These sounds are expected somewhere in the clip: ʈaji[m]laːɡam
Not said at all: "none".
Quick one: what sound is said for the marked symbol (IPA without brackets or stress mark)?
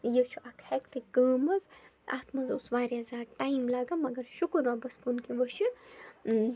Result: m